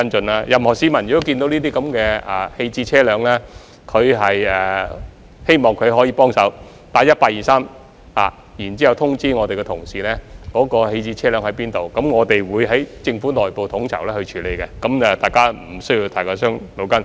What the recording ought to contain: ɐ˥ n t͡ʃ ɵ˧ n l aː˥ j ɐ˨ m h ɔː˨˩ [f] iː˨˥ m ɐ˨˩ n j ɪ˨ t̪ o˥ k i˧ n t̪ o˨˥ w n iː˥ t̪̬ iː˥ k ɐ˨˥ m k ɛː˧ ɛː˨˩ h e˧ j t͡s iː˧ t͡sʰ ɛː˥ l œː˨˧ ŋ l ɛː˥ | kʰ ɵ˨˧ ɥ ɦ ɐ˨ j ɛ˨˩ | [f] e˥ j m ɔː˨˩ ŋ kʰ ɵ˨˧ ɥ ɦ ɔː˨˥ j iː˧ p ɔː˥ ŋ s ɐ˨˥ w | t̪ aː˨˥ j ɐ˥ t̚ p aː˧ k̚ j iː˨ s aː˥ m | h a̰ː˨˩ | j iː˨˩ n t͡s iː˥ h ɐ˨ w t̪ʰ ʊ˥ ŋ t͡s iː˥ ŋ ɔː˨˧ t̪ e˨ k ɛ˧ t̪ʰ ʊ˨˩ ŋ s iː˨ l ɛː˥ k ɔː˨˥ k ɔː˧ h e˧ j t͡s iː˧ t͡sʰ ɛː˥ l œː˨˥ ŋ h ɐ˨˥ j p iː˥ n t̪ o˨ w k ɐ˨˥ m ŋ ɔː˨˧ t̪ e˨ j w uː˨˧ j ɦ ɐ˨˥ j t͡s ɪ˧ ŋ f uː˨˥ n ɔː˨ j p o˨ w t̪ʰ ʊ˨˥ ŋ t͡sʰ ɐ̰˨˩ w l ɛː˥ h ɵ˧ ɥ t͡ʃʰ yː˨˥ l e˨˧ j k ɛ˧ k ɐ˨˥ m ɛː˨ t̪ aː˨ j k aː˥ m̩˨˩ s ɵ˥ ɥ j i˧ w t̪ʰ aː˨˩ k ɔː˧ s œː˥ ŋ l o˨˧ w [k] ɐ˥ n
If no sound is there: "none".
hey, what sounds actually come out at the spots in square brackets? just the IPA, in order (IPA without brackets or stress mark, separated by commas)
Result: s, h, k